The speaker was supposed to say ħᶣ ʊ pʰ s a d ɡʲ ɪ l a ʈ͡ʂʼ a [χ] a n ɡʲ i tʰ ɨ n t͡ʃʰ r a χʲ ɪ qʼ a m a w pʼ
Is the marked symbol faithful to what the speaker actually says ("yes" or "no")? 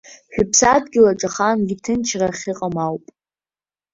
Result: yes